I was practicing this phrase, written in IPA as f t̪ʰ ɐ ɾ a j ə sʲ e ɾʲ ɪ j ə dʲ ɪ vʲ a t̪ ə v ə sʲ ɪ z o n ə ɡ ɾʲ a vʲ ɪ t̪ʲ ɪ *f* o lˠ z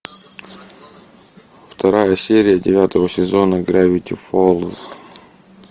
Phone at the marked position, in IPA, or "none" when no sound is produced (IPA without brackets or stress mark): f